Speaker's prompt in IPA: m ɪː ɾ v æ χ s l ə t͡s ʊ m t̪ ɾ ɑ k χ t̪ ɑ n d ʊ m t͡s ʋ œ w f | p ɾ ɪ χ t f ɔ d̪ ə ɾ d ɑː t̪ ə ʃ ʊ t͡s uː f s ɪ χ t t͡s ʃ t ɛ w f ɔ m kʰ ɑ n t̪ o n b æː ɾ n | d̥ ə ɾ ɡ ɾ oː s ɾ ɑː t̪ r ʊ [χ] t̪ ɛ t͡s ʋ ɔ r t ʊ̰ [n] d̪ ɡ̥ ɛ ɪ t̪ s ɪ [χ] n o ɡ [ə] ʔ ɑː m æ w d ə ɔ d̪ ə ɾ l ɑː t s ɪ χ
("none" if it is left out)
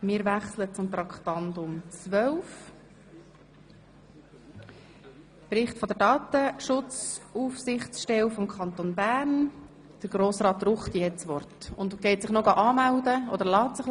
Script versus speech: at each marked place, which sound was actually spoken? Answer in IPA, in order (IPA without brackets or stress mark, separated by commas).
χ, n, χ, ɑ